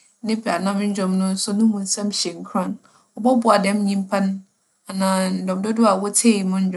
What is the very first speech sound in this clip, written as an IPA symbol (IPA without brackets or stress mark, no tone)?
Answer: n